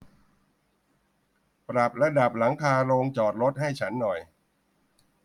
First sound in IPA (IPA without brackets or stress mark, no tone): p